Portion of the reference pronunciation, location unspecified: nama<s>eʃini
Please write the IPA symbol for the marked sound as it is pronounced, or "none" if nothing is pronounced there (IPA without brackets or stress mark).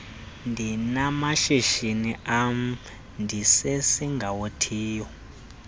ʃ